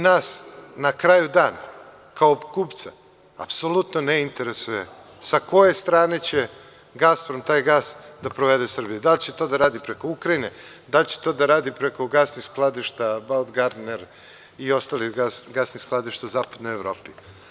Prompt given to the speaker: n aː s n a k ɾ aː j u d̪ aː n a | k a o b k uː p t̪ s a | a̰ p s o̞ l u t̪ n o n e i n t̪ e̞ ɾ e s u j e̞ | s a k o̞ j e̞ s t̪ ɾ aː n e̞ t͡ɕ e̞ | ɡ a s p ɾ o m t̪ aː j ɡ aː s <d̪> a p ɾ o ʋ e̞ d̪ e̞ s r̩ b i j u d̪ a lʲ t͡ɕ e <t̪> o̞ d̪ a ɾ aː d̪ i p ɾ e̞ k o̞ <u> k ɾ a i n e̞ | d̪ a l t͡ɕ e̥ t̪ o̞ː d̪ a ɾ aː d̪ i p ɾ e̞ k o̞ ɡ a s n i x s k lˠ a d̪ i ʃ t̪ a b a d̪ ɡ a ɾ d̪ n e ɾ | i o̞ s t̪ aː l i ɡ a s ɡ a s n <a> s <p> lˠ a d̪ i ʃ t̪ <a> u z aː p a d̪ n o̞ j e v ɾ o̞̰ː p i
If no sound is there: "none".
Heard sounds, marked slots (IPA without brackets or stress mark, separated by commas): d̪, t̪, u, i, k, a